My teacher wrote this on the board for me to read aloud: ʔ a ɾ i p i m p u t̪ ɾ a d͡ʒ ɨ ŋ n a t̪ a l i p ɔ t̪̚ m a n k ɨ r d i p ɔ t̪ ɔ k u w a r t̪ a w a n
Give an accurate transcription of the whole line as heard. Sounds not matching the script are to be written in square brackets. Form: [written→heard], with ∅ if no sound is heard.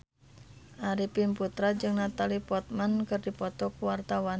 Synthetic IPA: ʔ a ɾ i p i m p u t̪ ɾ a d͡ʒ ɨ ŋ n a t̪ a l i p ɔ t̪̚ m a n k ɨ r d i p ɔ t̪ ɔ k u w a r t̪ a w a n